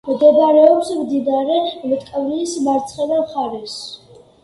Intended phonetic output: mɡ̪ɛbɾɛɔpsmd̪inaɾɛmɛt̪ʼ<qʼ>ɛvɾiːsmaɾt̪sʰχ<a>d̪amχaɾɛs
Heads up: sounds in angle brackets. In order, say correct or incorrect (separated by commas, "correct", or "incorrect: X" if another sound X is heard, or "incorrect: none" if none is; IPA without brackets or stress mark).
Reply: incorrect: kʼ, incorrect: ɛ